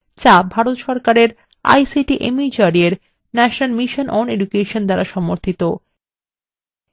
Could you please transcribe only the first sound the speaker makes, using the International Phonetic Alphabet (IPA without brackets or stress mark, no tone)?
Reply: t͡ɕ